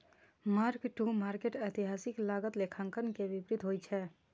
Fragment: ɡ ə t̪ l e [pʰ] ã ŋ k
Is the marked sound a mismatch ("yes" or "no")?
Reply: yes